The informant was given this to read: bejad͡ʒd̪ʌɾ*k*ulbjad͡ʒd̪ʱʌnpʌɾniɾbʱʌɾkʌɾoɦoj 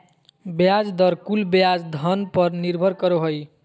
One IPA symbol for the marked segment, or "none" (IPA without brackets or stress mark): k